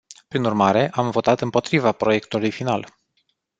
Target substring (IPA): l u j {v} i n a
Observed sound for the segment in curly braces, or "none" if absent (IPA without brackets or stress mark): f